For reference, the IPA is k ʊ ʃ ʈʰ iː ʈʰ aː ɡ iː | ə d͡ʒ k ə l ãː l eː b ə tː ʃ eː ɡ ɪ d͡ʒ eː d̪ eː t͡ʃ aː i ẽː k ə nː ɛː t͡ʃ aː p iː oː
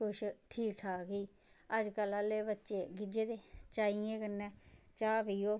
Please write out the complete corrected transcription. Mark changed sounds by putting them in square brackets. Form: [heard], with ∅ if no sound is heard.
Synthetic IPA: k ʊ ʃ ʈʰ iː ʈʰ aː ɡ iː | ə d͡ʒ k ə l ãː l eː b ə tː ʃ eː ɡ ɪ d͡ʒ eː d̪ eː t͡ʃ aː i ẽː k ə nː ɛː t͡ʃ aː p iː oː